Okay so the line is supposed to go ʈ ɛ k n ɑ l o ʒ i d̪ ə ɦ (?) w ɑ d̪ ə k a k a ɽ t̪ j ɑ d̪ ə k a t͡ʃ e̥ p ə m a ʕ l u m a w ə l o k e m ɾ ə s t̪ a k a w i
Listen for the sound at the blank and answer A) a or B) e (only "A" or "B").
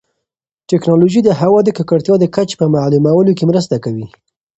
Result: A